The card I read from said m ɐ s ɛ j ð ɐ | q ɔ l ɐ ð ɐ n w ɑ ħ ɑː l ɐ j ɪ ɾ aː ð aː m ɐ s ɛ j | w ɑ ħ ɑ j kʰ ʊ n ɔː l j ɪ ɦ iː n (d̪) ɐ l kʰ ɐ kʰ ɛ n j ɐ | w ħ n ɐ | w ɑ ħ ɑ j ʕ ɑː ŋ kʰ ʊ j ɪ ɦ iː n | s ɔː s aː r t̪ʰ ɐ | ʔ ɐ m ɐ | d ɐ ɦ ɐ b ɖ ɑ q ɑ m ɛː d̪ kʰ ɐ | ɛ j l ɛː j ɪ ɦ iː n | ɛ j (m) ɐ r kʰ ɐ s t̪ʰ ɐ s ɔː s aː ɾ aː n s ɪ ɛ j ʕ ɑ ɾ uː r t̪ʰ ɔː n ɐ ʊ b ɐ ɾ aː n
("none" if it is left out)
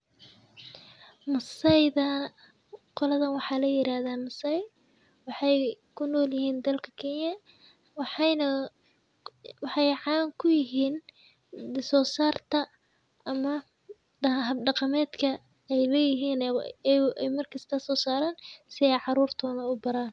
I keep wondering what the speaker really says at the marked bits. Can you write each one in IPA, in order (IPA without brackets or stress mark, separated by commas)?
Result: d̪, m